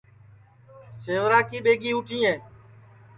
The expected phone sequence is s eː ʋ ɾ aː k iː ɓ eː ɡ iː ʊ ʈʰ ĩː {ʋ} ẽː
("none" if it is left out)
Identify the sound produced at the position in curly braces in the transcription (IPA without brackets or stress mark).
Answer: none